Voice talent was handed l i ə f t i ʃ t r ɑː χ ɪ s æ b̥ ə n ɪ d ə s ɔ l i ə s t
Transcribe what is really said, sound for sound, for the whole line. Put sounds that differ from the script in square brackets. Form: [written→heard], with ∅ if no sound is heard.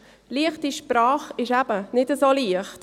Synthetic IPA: l i ə [f→χ] t i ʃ [t→p] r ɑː χ ɪ [s→ʃ] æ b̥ ə n ɪ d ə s [ɔ→o] l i ə [s→χ] t